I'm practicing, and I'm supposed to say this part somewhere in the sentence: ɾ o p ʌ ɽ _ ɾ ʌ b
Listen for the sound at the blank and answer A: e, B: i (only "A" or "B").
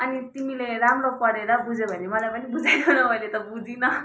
A